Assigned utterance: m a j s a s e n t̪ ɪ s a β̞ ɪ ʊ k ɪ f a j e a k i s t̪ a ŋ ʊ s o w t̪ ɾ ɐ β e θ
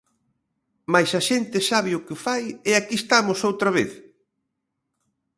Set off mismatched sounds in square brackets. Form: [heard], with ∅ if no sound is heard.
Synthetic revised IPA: m a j s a [ʃ] e n t̪ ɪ s a β̞ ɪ ʊ k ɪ f a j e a k i s t̪ a [m] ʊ s o w t̪ ɾ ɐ β e θ